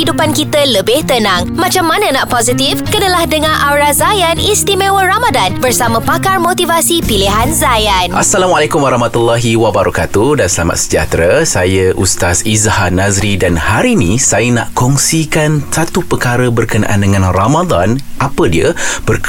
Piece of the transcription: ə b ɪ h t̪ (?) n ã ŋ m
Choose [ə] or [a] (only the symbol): ə